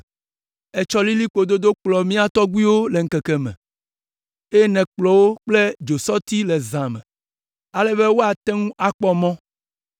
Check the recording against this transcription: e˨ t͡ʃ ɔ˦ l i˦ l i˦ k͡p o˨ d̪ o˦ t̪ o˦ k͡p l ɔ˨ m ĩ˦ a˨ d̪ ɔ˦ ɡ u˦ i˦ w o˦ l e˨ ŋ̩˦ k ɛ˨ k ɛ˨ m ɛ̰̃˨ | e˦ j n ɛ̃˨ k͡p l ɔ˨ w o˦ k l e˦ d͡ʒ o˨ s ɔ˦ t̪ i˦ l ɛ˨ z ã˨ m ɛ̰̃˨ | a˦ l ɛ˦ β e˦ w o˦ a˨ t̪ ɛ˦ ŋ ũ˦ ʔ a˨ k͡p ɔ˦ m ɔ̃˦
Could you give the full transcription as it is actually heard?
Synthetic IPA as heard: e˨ t͡ʃ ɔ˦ l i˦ l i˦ k͡p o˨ d̪ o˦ d̪ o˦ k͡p l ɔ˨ m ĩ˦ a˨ t̪ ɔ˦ ɡ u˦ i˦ w o˦ l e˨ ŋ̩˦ k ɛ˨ k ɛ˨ m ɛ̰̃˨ | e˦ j n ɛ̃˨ k͡p l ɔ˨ w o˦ k͡p l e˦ d͡ʒ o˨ s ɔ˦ t̪ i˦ l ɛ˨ z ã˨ m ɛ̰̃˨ | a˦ l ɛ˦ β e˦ w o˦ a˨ t̪ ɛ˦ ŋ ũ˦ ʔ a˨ k͡p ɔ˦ m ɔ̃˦